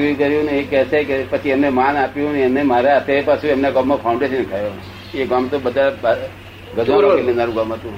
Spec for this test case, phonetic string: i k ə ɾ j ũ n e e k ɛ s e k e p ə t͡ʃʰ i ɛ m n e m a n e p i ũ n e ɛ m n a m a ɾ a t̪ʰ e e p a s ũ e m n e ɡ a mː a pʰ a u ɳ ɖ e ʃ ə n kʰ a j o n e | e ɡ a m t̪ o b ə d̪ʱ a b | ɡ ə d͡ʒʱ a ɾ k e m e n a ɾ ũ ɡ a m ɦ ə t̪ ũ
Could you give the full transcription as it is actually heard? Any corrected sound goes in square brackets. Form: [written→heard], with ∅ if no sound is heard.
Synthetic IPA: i k ə ɾ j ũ n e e k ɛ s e k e p ə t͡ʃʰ i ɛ m n e m a n [e→a] p [i→j] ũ n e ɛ m n [a→e] m a ɾ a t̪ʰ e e p a s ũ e m n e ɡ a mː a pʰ a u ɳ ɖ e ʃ ə n kʰ a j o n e | e ɡ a m t̪ o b ə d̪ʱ a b | ɡ ə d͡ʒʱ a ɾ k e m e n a ɾ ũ ɡ a m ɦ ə t̪ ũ